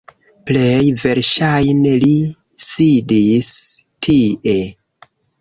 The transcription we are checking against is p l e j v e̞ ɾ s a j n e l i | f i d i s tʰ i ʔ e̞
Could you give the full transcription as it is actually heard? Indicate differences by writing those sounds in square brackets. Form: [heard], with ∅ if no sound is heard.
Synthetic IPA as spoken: p l e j v e̞ ɾ [ʃ] a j n e l i | [s] i d i s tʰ i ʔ e̞